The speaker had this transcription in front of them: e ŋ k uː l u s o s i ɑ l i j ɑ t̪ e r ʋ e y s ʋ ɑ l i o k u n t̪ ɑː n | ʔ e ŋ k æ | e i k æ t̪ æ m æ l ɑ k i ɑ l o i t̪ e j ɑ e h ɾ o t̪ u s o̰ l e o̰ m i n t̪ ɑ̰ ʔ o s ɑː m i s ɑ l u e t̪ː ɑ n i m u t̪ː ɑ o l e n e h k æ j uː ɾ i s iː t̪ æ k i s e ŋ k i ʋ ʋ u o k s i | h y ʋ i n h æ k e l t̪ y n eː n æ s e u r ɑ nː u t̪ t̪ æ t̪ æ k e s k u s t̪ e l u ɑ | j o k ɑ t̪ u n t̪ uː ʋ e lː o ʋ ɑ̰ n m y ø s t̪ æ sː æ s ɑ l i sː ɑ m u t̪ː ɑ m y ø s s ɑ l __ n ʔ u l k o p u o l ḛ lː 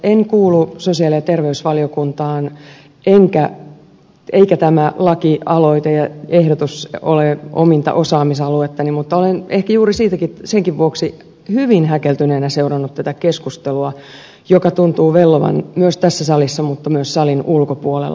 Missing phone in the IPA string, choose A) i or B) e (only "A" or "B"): A